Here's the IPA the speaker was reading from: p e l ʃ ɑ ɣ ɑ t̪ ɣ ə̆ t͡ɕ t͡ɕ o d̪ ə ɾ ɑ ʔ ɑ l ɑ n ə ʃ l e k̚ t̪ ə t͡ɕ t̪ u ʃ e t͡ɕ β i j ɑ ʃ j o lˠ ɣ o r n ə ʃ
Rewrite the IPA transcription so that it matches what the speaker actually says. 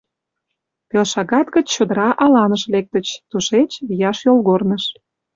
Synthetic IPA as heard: p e l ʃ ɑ ɣ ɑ t̪ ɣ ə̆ t͡ɕ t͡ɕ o d̪ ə ɾ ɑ ʔ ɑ l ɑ n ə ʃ l e k̚ t̪ ə t͡ɕ t̪ u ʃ e t͡ɕ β i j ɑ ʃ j o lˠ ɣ o r n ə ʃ